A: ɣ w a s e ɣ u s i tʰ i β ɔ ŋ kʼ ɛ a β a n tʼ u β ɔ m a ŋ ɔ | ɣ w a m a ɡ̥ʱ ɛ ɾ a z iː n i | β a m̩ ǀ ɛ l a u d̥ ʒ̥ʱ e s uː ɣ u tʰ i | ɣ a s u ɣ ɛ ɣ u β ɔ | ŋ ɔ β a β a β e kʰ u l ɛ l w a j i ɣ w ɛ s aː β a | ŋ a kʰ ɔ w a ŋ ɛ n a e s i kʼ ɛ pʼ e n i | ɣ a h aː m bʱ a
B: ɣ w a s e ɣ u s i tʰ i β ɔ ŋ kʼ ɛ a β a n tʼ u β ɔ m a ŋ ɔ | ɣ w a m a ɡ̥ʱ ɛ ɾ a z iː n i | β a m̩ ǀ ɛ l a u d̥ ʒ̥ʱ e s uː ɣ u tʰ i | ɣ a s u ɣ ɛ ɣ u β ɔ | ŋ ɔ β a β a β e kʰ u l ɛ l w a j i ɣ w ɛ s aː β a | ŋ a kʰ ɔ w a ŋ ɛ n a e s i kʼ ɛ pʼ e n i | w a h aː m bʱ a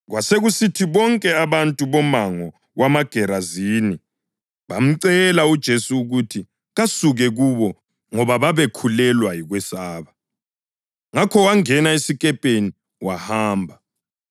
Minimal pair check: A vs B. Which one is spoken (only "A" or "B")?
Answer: B